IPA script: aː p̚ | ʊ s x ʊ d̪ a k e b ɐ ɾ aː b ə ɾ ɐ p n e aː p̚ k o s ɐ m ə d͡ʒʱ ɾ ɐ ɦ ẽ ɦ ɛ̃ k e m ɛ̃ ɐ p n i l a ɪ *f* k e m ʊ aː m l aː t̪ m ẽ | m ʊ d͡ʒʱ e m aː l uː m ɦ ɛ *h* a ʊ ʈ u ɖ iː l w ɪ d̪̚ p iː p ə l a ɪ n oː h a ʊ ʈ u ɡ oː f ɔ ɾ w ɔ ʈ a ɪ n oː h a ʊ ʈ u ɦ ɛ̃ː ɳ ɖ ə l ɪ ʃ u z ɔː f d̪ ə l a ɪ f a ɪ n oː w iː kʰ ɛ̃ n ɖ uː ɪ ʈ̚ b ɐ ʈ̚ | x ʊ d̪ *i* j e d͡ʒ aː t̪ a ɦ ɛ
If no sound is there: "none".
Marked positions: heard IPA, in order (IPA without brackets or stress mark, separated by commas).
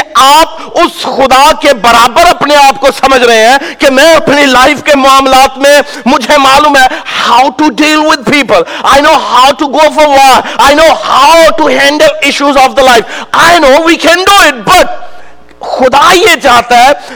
f, h, a